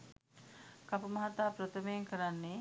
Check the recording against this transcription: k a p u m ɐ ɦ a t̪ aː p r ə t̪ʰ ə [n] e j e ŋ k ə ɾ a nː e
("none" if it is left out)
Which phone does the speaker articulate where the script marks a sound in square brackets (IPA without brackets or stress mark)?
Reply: m